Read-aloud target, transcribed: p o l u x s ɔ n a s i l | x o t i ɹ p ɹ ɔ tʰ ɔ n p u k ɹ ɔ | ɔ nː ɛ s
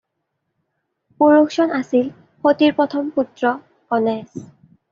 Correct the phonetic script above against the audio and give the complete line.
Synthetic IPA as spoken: p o ɹ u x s ɔ n a s i l | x o t i ɹ p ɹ ɔ tʰ ɔ m p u t ɹ ɔ | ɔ n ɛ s